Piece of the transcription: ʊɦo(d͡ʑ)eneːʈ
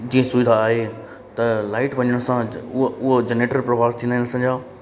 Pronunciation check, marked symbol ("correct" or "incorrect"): correct